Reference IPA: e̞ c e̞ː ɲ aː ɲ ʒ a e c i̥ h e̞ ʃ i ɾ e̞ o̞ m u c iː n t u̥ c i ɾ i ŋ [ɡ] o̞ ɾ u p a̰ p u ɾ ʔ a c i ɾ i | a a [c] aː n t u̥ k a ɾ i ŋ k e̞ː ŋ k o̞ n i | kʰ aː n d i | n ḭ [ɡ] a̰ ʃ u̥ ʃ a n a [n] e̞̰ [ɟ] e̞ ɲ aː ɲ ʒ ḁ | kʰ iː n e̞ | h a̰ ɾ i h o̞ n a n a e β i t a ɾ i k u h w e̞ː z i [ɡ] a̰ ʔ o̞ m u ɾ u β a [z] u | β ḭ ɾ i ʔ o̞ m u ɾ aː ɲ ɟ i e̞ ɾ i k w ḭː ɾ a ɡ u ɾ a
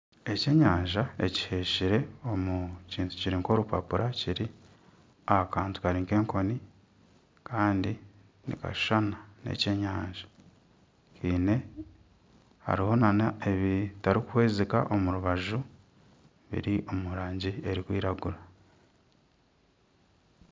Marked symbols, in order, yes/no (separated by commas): no, no, no, yes, no, no, no